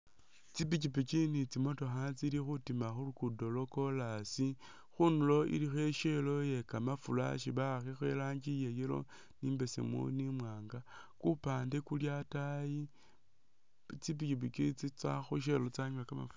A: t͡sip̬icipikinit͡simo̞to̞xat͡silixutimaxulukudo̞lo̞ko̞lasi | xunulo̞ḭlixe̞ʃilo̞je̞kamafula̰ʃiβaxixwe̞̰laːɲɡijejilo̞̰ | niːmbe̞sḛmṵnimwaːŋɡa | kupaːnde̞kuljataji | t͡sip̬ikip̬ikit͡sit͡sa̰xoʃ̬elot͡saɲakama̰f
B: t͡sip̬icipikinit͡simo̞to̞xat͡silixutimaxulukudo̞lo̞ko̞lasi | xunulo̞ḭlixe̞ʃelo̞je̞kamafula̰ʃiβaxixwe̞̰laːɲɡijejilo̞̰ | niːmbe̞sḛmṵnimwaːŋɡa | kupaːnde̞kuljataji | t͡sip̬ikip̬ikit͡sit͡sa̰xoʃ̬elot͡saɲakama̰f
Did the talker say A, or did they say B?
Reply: B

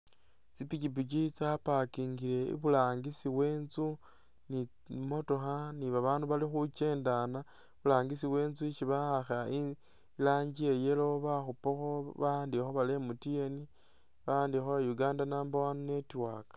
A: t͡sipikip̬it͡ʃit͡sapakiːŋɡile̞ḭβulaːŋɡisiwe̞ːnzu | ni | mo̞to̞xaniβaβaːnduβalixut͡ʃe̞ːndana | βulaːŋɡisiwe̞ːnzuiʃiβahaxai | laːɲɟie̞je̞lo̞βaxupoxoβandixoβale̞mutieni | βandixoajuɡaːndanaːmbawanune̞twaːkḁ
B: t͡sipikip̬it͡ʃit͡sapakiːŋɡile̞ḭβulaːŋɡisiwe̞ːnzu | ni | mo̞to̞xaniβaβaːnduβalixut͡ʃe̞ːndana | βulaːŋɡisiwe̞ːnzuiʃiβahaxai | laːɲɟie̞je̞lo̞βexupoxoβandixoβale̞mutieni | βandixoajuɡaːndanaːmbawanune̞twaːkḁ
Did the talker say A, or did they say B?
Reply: A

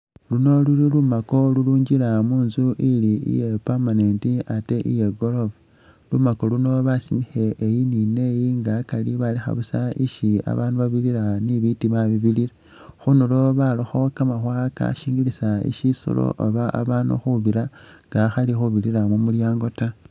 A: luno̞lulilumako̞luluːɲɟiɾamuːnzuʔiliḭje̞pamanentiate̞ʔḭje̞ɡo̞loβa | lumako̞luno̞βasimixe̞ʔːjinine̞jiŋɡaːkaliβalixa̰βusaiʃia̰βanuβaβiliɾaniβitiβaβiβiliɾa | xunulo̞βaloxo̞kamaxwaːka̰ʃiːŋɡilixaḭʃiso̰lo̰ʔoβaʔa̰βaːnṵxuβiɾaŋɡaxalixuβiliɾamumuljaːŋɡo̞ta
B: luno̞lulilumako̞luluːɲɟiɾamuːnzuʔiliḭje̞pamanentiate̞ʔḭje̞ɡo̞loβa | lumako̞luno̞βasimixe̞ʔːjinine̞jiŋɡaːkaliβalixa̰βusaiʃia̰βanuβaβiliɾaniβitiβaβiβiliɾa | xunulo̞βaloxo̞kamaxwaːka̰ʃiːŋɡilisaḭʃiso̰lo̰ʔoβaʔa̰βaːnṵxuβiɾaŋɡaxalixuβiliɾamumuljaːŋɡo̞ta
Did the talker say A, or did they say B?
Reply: B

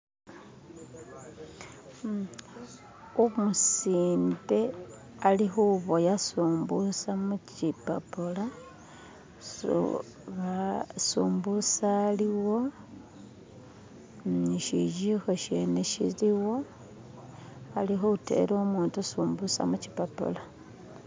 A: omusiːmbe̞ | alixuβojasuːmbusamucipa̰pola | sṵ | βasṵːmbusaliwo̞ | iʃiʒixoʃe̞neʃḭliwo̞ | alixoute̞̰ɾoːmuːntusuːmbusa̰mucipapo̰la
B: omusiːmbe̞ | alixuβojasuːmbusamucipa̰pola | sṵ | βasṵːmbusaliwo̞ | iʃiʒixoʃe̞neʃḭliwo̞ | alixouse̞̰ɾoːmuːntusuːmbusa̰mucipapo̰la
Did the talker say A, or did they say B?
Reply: A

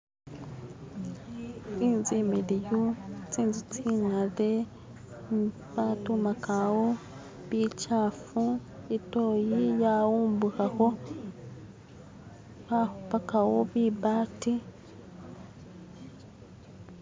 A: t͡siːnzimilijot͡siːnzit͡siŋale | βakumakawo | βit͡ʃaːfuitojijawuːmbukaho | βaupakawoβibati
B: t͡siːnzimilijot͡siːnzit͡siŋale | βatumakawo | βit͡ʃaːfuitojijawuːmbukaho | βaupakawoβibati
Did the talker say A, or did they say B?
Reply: B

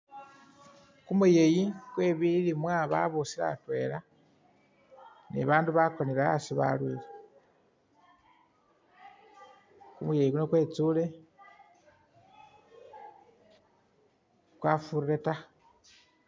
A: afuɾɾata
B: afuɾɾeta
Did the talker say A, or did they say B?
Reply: B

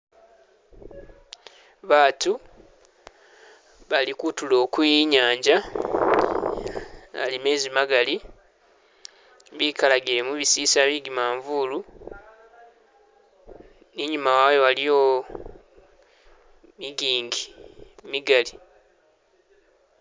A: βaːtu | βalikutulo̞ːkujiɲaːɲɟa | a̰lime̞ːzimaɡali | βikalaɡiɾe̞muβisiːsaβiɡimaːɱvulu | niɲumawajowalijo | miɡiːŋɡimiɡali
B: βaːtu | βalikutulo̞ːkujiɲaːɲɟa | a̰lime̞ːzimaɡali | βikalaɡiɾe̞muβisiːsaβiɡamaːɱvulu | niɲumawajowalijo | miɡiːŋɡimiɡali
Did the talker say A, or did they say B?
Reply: A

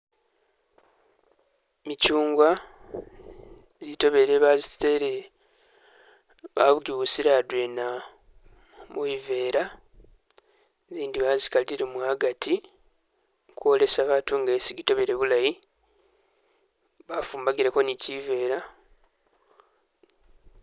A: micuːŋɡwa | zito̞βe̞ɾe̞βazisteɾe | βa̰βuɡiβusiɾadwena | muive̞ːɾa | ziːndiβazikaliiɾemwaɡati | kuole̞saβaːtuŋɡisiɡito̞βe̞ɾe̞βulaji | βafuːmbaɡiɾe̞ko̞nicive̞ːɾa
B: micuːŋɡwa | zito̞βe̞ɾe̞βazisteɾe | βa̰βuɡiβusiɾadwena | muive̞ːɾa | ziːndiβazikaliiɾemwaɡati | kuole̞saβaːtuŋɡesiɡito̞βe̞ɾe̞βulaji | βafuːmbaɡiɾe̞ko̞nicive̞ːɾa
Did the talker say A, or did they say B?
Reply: B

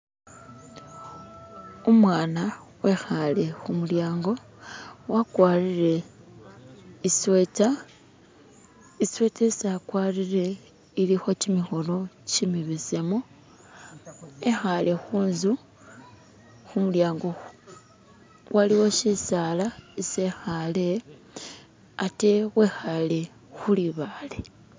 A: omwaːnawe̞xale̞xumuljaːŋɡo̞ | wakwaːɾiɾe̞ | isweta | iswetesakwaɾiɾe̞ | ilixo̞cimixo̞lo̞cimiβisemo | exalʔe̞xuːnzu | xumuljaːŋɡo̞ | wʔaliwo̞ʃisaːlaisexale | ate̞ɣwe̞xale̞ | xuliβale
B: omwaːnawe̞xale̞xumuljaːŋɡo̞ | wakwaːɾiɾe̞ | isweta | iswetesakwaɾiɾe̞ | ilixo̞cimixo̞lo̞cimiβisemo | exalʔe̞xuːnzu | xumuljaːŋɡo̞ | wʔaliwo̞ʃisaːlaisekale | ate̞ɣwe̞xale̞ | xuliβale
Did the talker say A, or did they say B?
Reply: A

